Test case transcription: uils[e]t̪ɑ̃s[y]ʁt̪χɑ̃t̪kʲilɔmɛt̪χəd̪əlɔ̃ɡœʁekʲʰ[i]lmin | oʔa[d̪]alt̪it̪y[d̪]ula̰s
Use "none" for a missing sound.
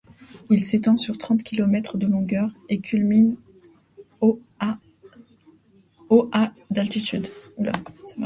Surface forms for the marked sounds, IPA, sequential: e, y, y, d̪, d̪

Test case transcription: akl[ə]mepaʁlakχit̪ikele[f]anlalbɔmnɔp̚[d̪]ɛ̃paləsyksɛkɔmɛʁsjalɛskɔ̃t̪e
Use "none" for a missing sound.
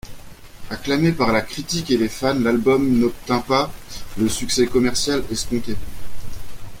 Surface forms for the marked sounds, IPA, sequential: a, f, t̪

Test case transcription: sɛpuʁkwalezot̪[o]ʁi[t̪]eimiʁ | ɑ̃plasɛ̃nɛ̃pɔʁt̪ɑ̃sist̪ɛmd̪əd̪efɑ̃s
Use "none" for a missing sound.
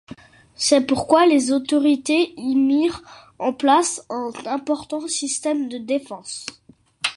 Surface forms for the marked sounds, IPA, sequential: ɔ, t̪

